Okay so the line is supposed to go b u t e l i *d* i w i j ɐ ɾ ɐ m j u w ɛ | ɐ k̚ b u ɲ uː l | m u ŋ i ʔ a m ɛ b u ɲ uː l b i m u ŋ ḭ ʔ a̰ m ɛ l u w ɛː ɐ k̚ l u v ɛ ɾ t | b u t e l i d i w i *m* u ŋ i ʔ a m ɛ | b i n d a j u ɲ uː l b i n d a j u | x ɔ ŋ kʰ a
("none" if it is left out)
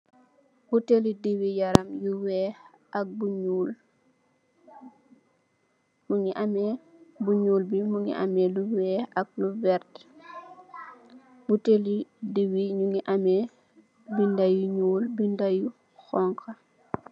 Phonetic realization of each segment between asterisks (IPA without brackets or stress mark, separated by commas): d, ɲ